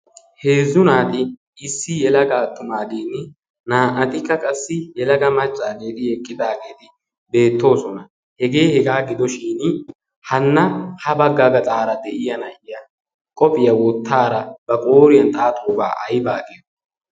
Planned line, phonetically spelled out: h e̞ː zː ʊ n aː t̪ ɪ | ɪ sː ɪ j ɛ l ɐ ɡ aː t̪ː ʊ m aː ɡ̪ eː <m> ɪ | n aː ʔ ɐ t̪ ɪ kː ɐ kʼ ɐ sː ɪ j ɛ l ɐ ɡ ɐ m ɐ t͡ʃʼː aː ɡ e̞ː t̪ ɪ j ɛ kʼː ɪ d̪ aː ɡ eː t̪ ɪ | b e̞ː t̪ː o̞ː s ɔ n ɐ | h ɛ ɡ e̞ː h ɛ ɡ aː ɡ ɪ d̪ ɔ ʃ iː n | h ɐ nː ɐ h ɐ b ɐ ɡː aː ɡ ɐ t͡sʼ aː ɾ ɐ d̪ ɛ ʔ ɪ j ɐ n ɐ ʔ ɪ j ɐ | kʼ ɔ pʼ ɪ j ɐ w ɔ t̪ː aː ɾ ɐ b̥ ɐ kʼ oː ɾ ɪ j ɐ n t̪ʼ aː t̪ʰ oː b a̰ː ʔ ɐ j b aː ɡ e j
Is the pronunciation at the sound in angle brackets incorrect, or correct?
incorrect